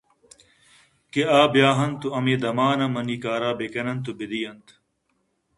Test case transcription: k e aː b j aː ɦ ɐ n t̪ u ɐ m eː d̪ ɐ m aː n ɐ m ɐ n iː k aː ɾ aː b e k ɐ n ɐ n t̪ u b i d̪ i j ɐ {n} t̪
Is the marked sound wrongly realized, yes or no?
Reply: no